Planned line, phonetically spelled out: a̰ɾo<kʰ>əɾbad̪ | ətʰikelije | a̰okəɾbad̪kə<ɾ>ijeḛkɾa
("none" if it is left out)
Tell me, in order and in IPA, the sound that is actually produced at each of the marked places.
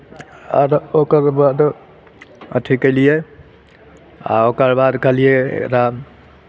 k, l

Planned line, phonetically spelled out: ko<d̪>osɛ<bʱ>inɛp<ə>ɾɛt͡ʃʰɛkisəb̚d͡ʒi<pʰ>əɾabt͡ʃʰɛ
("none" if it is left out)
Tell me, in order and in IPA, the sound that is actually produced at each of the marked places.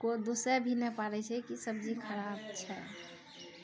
d̪, bʱ, a, kʰ

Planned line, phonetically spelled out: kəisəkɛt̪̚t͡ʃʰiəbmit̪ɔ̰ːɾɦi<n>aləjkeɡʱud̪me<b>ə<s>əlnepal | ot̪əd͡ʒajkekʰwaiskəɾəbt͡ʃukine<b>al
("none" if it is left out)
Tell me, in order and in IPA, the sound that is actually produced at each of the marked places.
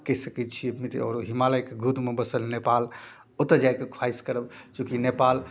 m, b, s, p

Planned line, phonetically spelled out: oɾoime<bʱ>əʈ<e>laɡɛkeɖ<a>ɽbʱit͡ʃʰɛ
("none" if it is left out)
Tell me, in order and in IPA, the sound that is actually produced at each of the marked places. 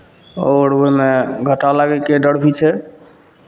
ɡʱ, a, ə

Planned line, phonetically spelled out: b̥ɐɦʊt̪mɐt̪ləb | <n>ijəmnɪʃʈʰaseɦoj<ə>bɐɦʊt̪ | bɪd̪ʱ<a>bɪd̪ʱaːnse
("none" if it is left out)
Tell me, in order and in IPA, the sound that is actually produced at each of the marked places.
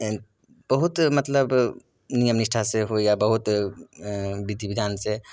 n, a, i

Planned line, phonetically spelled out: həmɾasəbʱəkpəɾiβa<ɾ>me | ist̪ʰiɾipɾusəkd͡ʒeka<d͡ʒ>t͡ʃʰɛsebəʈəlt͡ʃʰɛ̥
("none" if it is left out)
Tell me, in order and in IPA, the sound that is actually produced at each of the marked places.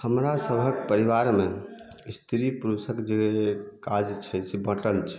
ɾ, d͡ʒ

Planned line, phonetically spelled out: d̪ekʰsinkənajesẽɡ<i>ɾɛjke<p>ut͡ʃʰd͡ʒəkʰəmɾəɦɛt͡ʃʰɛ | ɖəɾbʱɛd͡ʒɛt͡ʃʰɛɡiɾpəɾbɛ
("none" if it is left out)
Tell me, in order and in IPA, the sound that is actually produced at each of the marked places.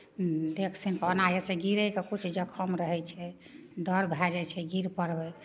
i, k

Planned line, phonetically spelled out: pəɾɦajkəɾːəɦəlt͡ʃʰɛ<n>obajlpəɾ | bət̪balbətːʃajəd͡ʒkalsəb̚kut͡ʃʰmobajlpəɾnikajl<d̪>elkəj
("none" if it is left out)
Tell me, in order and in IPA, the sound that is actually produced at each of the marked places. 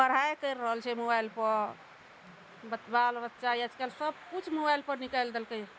m, d̪

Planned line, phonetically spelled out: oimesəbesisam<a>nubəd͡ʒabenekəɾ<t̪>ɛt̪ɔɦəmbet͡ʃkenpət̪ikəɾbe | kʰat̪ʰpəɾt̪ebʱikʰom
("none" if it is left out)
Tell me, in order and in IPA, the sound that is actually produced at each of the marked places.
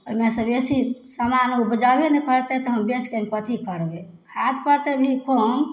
a, t̪

